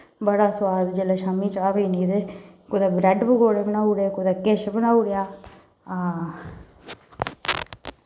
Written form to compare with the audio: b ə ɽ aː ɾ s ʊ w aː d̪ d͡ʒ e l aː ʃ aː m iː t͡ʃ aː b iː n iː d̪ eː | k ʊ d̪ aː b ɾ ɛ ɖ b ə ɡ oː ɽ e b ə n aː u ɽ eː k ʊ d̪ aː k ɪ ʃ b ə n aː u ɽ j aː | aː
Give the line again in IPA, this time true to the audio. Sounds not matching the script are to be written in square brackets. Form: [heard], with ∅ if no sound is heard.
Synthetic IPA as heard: b ə ɽ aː [∅] s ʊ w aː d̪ d͡ʒ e l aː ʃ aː m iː t͡ʃ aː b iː n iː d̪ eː | k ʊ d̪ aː b ɾ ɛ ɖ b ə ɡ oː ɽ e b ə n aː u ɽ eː k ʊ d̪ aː k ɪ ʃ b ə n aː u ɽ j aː | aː